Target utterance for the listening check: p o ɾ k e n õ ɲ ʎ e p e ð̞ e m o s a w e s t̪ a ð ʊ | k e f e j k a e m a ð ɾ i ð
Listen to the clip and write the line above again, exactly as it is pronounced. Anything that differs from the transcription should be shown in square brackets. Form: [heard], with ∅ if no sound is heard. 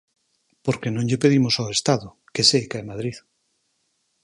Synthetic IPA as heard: p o ɾ k e n õ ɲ ʎ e p e ð̞ [i] m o s a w e s t̪ a ð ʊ | k e [s] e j k a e m a ð ɾ i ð